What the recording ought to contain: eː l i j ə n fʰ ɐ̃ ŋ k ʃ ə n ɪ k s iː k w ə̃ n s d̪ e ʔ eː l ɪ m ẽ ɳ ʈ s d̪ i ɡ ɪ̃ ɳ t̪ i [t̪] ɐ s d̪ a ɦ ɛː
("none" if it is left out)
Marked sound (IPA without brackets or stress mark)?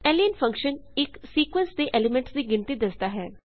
d̪